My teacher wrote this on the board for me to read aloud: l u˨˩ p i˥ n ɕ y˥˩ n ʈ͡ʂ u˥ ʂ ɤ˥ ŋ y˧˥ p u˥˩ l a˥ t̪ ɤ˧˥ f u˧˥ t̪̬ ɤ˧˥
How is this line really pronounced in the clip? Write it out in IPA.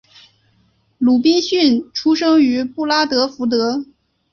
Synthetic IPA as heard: l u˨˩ p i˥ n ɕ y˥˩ n ʈ͡ʂʰ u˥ ʂ ɤ˥ ŋ y˧˥ p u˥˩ l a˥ t̪ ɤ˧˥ f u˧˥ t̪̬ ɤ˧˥